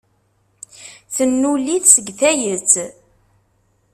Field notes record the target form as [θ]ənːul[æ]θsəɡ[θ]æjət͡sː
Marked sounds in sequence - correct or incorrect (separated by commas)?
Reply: correct, incorrect, correct